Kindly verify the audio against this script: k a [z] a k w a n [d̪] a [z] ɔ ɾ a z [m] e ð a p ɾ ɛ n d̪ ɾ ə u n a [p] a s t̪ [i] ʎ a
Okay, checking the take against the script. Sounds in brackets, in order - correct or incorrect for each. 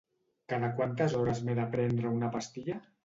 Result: incorrect: ð, incorrect: t̪, correct, correct, correct, correct

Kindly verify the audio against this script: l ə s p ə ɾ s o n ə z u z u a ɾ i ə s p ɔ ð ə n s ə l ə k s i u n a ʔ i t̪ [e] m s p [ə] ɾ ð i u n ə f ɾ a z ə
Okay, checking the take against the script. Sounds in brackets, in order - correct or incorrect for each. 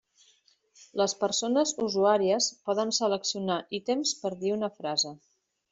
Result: correct, correct

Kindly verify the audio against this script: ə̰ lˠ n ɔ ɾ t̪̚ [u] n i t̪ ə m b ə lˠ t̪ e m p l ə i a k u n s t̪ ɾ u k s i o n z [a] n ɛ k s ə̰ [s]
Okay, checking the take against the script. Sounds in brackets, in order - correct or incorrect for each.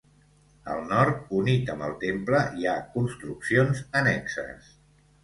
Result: correct, incorrect: ə, correct

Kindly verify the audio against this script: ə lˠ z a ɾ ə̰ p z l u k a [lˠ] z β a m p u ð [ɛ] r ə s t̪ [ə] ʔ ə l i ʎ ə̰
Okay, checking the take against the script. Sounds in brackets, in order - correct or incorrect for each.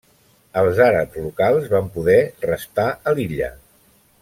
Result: correct, correct, incorrect: a

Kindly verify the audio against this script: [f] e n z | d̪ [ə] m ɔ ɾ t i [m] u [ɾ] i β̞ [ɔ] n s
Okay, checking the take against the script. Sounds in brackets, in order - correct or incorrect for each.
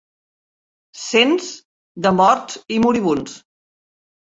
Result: incorrect: s, correct, correct, correct, incorrect: u

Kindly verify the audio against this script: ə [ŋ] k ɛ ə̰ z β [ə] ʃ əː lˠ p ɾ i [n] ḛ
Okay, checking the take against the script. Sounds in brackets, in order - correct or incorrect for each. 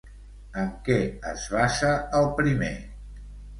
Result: correct, incorrect: a, incorrect: m

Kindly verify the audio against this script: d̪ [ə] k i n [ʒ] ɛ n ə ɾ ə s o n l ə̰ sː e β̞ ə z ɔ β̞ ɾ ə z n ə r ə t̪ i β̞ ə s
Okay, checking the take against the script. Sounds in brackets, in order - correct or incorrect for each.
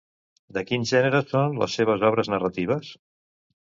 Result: correct, correct

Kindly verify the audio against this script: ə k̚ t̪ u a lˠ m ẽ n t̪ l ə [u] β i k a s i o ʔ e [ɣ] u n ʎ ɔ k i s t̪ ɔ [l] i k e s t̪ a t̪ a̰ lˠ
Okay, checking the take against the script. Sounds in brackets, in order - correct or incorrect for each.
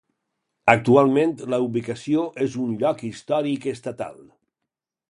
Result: correct, incorrect: z, incorrect: ɾ

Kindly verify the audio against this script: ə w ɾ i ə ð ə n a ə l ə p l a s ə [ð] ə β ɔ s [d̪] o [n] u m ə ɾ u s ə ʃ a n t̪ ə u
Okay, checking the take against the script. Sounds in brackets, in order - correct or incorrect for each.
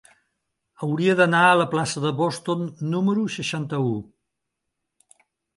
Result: correct, incorrect: t̪, incorrect: nː

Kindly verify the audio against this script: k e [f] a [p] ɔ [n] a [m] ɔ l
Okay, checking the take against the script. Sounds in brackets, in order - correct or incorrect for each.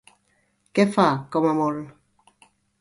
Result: correct, incorrect: k, incorrect: m, correct

